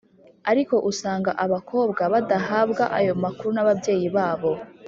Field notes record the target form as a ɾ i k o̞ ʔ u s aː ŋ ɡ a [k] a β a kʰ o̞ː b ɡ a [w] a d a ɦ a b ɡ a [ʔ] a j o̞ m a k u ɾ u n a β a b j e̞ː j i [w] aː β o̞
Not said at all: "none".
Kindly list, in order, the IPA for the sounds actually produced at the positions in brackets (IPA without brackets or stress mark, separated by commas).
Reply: ʔ, β, ʔ, β